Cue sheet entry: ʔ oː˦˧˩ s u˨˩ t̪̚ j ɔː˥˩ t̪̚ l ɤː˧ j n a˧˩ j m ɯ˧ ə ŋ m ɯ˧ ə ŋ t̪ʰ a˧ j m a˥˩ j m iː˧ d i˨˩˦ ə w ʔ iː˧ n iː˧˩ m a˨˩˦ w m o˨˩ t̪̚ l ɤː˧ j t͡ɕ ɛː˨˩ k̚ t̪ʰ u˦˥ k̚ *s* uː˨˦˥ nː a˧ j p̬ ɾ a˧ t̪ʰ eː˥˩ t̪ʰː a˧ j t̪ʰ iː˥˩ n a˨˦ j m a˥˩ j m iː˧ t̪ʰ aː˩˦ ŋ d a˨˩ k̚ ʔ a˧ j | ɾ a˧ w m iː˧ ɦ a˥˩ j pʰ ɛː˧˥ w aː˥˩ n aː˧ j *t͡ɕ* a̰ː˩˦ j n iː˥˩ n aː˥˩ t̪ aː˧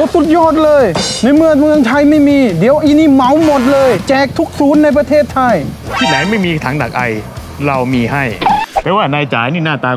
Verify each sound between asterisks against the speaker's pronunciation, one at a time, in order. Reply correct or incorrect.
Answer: correct, correct

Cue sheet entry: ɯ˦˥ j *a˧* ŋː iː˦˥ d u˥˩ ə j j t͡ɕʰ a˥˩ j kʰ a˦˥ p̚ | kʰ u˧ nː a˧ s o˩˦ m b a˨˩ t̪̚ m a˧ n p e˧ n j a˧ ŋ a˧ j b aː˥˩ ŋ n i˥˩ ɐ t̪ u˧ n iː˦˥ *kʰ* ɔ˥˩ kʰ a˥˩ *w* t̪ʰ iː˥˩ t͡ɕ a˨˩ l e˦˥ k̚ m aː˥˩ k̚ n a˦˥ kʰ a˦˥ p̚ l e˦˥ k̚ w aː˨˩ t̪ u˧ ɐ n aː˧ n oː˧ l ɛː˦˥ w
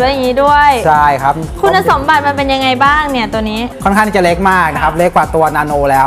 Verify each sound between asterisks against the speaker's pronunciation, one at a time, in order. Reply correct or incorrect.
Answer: incorrect, correct, incorrect

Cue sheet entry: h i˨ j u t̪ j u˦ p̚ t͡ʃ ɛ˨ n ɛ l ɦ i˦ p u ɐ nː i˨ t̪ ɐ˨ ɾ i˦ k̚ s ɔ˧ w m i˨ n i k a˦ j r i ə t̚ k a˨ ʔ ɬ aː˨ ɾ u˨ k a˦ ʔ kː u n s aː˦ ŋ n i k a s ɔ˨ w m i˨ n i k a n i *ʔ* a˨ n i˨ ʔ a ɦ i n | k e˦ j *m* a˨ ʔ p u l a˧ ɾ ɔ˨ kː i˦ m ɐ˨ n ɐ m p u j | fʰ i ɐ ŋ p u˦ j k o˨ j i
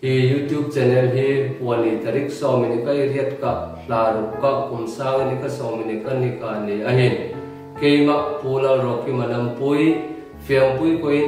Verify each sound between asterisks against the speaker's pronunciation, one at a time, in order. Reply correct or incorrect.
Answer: incorrect, correct

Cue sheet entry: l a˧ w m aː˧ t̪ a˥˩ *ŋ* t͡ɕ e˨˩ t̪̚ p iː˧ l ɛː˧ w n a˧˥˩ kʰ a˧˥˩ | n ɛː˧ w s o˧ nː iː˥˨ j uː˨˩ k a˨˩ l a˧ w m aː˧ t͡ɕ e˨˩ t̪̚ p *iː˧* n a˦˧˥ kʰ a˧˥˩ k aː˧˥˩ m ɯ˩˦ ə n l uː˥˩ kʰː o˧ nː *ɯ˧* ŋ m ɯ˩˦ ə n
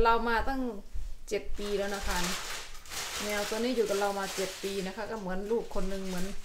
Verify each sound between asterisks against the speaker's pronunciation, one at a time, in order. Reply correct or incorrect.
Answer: correct, correct, correct

